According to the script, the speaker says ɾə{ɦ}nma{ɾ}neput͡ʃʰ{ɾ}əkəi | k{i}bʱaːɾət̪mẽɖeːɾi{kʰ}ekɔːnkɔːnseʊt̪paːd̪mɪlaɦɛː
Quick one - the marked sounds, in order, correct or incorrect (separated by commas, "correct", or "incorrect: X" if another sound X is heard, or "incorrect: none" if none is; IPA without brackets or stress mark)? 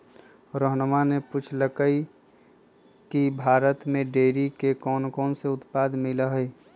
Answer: correct, incorrect: none, incorrect: l, correct, incorrect: k